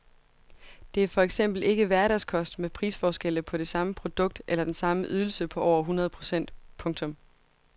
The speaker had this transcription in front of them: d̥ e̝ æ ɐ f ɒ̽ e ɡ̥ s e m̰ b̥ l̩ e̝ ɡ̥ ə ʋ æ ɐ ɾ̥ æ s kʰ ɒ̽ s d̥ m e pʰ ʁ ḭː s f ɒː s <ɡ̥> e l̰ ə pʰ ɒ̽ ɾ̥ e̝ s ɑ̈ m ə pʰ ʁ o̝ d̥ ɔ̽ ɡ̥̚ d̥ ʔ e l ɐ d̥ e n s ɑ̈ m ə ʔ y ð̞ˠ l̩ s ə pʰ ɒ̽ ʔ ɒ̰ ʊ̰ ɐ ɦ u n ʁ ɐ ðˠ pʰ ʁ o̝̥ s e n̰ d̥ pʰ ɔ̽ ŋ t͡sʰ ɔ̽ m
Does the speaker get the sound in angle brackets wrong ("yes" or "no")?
no